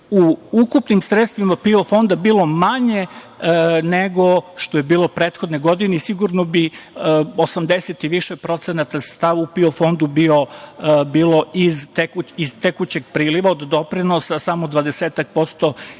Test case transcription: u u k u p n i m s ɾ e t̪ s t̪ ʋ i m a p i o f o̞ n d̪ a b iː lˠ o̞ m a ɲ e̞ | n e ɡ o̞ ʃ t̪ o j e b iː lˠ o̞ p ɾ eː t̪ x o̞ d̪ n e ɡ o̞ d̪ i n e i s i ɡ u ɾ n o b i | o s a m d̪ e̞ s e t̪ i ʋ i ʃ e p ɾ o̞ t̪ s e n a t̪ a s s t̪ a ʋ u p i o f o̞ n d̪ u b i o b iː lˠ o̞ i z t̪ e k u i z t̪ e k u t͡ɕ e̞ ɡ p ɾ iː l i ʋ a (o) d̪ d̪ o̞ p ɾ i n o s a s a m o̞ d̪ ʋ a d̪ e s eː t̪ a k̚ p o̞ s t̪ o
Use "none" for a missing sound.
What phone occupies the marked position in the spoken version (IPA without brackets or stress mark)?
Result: o